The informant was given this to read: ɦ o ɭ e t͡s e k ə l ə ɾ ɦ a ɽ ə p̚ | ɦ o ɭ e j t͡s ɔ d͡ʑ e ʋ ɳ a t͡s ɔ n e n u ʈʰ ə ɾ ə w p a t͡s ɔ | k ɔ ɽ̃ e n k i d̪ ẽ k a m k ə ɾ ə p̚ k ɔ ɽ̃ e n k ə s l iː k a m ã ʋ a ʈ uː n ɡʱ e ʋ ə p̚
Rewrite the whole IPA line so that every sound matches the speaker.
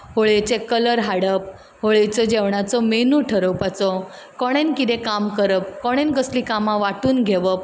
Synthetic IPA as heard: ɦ o ɭ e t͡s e k ə l ə ɾ ɦ a ɽ ə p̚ | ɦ o ɭ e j t͡s ɔ d͡ʑ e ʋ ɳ a t͡s ɔ m e n u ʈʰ ə ɾ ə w p a t͡s ɔ | k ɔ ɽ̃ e n k i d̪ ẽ k a m k ə ɾ ə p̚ k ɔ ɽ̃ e n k ə s l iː k a m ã ʋ a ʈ uː n ɡʱ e ʋ ə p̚